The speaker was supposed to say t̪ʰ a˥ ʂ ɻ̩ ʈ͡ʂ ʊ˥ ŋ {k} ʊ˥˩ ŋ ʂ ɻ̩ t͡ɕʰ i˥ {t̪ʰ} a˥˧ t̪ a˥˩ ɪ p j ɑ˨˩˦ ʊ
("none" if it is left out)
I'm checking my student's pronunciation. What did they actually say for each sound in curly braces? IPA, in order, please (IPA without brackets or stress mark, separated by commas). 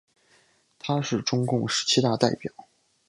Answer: k, t̪